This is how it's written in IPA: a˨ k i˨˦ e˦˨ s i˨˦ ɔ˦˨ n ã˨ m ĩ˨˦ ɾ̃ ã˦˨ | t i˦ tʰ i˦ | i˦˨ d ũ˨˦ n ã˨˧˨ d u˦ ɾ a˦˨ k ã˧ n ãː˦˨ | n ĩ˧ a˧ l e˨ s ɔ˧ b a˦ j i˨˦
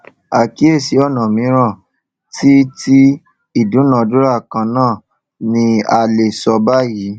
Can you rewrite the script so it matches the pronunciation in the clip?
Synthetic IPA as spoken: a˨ k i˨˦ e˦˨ s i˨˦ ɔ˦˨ n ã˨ m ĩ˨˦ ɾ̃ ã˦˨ | t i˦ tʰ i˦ | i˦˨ d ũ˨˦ n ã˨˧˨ d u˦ ɾ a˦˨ k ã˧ n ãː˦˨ | n ĩ˧ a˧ l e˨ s ɔ˧ b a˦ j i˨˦